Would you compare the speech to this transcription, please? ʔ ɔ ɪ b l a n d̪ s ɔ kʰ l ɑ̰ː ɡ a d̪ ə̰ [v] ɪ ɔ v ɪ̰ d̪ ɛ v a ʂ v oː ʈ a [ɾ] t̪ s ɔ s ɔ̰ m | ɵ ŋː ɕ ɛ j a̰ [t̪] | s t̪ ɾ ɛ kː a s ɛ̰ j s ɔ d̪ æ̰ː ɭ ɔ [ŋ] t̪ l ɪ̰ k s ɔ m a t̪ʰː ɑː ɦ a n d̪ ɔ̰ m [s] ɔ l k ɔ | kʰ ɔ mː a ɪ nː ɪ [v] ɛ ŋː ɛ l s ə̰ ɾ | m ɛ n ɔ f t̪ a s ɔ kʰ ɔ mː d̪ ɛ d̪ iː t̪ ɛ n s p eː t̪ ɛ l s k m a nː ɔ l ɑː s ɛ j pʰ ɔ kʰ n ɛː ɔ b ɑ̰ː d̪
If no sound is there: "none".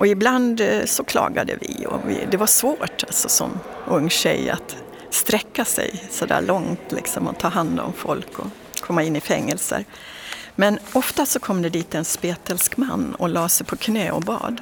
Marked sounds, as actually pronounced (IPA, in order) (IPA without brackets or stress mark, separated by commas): v, l, t̪, ŋ, f, f